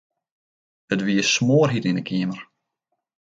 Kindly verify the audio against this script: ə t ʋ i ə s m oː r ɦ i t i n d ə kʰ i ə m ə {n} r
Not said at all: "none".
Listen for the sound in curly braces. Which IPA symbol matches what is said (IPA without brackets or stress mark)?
none